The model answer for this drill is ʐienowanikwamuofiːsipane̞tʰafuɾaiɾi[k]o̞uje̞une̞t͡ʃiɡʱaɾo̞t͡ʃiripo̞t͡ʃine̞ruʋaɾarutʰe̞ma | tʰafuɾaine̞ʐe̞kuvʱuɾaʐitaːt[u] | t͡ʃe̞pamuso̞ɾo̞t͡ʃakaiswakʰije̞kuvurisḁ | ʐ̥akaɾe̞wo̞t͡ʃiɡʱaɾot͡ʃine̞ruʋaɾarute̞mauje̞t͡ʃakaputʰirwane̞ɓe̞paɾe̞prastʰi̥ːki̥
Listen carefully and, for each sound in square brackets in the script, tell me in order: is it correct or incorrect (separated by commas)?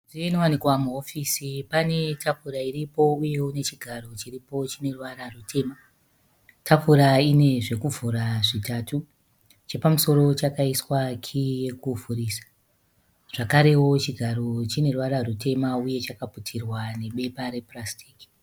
incorrect, correct